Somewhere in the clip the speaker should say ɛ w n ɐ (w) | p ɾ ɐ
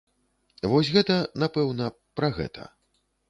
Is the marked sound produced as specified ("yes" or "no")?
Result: no